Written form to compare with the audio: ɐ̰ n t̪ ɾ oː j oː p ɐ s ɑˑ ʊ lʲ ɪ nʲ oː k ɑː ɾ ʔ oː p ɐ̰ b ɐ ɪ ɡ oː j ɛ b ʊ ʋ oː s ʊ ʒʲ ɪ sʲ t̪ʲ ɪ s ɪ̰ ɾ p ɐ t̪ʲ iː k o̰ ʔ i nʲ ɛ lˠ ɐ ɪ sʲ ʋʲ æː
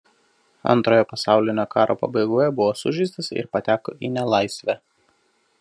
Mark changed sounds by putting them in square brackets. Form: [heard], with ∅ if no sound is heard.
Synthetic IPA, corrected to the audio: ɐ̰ n t̪ ɾ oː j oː p ɐ s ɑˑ ʊ lʲ ɪ nʲ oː k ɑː ɾ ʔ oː p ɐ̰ b ɐ ɪ ɡ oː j ɛ b ʊ ʋ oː s ʊ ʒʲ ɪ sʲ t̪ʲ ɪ s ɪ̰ ɾ p ɐ t̪ʲ [æː] k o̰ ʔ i nʲ ɛ lˠ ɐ ɪ sʲ ʋʲ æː